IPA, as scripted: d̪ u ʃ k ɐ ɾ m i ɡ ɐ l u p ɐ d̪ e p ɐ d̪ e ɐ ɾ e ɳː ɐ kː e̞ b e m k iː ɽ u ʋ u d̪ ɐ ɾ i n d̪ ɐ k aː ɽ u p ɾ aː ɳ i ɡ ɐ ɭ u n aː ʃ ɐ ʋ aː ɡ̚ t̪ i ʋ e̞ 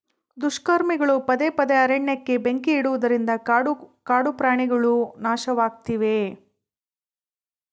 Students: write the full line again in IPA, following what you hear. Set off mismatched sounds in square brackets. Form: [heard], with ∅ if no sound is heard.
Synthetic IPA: d̪ u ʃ k ɐ ɾ m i ɡ ɐ [ɭ] u p ɐ d̪ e p ɐ d̪ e ɐ ɾ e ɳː ɐ kː e̞ b e [ŋ] k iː ɽ u ʋ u d̪ ɐ ɾ i n d̪ ɐ k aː ɽ u p ɾ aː ɳ i ɡ ɐ ɭ u n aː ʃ ɐ ʋ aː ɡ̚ t̪ i ʋ e̞